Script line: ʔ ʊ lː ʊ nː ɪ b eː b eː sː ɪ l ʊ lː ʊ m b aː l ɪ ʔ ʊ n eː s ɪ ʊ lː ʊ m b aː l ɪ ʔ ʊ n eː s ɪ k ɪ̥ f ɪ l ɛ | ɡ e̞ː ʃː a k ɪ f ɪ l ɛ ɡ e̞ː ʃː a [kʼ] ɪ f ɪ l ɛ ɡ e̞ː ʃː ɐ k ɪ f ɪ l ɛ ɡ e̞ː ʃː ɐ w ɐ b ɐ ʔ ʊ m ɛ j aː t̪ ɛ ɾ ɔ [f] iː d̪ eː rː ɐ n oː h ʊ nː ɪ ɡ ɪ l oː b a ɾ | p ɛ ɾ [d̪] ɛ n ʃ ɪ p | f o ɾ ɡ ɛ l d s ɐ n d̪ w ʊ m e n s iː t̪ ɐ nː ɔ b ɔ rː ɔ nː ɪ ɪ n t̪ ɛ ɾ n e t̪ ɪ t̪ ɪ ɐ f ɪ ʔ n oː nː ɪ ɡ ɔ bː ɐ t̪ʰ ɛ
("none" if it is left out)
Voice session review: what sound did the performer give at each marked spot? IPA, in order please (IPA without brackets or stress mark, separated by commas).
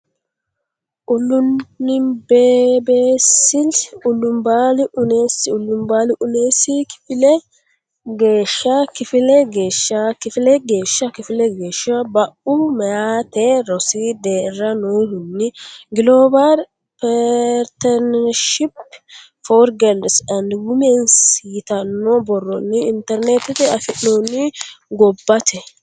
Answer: k, s, t̪